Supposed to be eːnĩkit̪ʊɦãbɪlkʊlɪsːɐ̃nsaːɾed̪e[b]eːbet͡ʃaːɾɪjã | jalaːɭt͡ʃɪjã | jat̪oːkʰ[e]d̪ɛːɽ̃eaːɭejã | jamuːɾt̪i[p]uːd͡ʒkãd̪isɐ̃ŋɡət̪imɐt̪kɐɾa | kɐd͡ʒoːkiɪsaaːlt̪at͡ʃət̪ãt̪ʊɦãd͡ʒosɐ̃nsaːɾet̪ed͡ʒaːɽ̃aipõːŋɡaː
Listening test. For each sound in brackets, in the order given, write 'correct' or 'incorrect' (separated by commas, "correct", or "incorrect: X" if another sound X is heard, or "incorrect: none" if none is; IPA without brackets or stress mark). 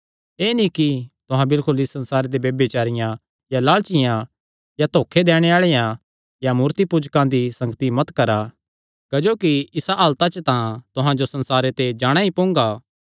correct, correct, correct